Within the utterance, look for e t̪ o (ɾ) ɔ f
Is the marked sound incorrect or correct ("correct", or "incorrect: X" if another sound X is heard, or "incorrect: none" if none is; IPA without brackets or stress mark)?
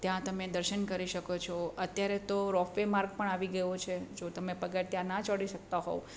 correct